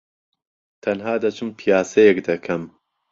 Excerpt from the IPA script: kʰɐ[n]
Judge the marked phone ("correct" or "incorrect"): incorrect